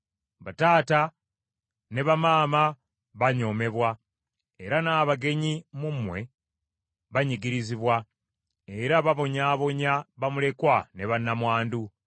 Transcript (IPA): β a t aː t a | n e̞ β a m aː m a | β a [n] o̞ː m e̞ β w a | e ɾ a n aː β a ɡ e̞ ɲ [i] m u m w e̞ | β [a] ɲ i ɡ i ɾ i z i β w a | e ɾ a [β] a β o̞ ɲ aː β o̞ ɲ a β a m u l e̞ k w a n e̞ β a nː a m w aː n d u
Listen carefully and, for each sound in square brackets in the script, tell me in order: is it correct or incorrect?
incorrect, correct, correct, correct

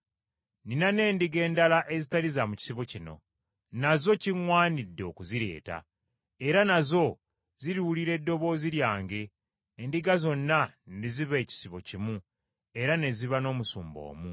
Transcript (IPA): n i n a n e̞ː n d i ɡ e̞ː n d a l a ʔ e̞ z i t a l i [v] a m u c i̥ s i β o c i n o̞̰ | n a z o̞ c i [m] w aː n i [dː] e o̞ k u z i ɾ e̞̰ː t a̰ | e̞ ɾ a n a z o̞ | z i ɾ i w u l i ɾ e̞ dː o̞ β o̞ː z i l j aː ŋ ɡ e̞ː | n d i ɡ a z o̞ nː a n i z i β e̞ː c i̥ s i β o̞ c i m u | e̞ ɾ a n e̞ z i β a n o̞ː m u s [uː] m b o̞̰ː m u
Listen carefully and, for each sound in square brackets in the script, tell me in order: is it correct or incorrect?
incorrect, incorrect, correct, correct

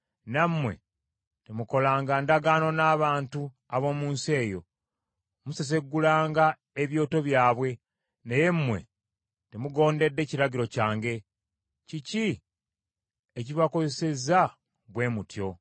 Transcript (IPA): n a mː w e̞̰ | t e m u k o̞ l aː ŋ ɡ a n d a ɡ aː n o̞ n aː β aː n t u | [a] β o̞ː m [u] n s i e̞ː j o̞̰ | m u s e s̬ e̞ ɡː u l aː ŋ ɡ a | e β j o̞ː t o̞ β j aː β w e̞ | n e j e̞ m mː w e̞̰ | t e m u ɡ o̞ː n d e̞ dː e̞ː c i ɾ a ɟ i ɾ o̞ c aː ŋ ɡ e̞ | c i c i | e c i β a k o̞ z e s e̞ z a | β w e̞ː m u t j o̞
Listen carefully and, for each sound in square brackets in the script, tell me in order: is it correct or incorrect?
correct, incorrect

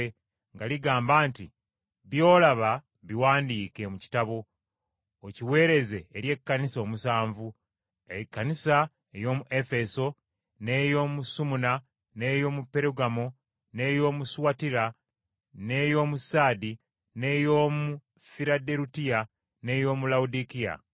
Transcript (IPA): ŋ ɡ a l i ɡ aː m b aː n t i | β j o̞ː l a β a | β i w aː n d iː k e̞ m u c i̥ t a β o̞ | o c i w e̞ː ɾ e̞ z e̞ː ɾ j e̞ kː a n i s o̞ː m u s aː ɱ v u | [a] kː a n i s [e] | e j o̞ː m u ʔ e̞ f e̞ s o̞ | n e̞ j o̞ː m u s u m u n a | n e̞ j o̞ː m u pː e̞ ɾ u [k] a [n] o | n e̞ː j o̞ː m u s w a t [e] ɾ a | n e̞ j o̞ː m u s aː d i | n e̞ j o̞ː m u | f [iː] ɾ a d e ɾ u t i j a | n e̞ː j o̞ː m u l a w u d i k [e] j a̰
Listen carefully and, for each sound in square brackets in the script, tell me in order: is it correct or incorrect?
incorrect, incorrect, incorrect, incorrect, incorrect, incorrect, incorrect

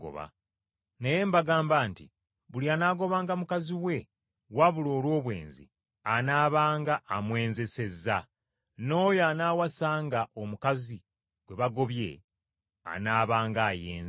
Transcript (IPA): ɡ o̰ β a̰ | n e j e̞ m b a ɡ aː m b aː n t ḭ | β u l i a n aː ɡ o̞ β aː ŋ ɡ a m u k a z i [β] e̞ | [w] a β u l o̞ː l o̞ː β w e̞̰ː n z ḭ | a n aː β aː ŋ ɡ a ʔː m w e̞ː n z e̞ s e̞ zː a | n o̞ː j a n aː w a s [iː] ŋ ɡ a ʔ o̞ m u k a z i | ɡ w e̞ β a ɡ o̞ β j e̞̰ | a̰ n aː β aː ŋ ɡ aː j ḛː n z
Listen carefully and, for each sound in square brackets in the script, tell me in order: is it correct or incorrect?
incorrect, correct, incorrect

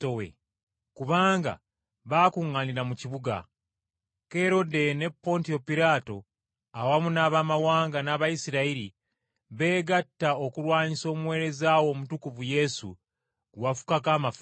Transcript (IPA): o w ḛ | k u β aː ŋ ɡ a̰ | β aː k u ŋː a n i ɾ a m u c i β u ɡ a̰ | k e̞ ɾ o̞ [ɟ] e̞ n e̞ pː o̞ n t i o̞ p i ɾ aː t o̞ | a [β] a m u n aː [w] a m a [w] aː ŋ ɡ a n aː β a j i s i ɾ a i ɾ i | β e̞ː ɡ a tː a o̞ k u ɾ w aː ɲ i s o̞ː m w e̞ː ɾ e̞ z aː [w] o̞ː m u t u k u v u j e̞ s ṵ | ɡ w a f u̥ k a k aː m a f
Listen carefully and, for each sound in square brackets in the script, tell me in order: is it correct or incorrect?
incorrect, incorrect, incorrect, correct, correct

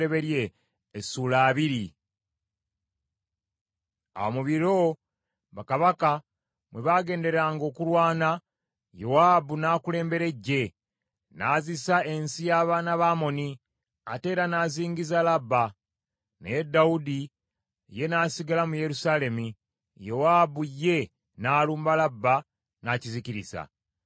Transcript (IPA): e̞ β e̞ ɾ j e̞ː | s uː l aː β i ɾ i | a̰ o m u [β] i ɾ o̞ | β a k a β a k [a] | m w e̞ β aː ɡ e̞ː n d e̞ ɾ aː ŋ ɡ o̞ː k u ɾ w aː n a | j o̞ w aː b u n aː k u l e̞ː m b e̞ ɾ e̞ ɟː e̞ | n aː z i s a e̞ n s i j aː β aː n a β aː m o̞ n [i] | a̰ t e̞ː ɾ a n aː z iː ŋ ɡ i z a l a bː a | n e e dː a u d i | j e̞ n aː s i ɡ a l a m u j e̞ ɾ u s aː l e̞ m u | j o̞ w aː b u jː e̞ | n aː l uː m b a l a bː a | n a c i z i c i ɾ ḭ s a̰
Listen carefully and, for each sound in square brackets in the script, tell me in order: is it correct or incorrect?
correct, correct, correct

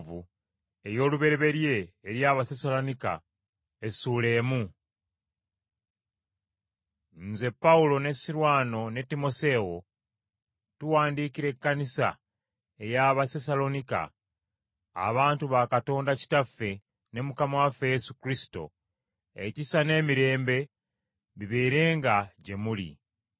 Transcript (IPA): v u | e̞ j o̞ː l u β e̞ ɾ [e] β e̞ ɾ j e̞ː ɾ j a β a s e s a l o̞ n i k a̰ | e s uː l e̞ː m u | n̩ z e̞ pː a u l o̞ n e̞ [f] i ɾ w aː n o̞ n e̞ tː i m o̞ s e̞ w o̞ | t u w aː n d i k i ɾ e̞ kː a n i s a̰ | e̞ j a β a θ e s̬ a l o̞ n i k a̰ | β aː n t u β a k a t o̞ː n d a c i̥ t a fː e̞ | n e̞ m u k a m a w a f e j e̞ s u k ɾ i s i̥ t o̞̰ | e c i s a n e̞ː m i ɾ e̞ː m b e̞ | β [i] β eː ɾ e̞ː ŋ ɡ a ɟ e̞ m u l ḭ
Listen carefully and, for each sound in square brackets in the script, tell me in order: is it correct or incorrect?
correct, incorrect, correct

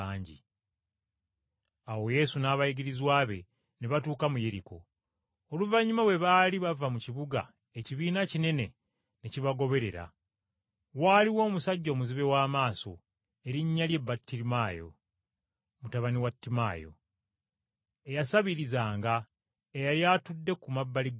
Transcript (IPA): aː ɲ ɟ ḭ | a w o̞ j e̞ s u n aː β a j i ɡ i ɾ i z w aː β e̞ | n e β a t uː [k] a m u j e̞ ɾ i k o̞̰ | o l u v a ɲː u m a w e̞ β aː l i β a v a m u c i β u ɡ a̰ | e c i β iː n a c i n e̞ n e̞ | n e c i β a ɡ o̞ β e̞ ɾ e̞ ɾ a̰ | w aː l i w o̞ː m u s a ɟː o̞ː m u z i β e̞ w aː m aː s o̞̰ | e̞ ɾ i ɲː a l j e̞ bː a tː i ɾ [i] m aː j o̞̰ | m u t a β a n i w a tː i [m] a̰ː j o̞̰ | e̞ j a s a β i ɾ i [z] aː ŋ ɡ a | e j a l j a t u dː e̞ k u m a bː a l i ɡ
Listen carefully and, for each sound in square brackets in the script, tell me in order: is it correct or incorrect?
correct, correct, correct, correct

